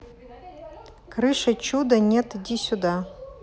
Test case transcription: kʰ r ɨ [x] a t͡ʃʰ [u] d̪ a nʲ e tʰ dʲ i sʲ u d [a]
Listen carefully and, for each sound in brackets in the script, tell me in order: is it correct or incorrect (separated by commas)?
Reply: incorrect, correct, correct